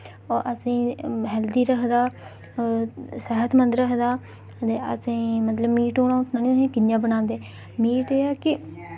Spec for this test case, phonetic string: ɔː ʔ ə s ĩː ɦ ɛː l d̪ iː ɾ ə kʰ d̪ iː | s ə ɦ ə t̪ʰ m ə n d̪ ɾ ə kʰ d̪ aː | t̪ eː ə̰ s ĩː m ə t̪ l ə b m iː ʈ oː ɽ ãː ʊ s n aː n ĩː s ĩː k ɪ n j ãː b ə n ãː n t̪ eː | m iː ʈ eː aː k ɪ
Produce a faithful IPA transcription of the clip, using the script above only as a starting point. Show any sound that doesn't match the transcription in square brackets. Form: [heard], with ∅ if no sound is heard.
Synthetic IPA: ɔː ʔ ə s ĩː ɦ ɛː l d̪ iː ɾ ə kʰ d̪ [aː] | s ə ɦ ə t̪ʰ m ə n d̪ ɾ ə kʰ d̪ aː | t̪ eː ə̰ s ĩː m ə t̪ l ə b m iː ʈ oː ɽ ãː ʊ s n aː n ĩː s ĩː k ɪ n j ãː b ə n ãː n [d̪] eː | m iː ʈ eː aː k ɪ